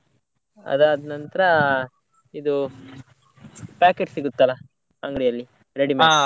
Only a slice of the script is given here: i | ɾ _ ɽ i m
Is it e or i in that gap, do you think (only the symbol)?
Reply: e